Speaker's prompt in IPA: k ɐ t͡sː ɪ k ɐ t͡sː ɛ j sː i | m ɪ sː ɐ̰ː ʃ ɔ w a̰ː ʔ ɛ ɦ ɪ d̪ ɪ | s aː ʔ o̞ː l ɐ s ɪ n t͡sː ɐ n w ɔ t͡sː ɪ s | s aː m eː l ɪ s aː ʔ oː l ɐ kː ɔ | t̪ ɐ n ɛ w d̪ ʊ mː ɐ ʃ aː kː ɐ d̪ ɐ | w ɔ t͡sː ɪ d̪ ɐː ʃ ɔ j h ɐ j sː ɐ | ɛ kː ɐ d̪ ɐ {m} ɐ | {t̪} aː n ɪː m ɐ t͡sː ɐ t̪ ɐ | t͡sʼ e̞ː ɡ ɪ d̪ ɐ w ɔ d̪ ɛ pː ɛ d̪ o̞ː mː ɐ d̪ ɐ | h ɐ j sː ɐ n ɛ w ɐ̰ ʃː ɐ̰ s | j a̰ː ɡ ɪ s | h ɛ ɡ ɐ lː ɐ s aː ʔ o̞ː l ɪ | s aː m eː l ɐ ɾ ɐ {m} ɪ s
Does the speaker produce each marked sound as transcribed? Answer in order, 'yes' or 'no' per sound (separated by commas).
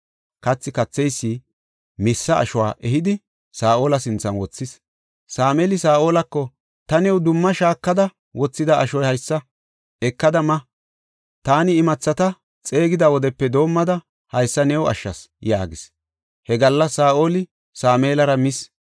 yes, yes, yes